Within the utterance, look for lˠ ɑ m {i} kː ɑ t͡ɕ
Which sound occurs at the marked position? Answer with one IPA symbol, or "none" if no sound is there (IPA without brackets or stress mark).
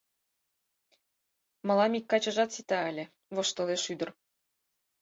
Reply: i